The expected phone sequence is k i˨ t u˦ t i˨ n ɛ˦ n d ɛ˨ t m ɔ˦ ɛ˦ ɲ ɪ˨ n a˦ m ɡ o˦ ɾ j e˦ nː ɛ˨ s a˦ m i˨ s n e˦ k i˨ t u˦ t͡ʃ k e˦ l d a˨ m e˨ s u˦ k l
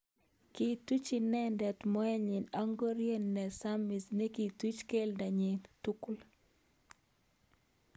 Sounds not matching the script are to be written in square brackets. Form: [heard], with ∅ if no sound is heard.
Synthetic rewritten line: k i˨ t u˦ [t͡ʃ] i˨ n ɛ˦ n d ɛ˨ t m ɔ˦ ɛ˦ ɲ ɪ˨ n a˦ [ŋ] ɡ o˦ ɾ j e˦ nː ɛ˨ s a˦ m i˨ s n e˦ k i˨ t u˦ t͡ʃ k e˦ l d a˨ [ɲ] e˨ [t] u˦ k l